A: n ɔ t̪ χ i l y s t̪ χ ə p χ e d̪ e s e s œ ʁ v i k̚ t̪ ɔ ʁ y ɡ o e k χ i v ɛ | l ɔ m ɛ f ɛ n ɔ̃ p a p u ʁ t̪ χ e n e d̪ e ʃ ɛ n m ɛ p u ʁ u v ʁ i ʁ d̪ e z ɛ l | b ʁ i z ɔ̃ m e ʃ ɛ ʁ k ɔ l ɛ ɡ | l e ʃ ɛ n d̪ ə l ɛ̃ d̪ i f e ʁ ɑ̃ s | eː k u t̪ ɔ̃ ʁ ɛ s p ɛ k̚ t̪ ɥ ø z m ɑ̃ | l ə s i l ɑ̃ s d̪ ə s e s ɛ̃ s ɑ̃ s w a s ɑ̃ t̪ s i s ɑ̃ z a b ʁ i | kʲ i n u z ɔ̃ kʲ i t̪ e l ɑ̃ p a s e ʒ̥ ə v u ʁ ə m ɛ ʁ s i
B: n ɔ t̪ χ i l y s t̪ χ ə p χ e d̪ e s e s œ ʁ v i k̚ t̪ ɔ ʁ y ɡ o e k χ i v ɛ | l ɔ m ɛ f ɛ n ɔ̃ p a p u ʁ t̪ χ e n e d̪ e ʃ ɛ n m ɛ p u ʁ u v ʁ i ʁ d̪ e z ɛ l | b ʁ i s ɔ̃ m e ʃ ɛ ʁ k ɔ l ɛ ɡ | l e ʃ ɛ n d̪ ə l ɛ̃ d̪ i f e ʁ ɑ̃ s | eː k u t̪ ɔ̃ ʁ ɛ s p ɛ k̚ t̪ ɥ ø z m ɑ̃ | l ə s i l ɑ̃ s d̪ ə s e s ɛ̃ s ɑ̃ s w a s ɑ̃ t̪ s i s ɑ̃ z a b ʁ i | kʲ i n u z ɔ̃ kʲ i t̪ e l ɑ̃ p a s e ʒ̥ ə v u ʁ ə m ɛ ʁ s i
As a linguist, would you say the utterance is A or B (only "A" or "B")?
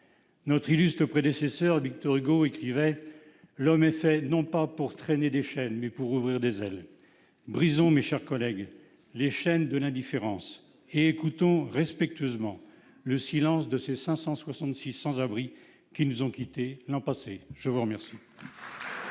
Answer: A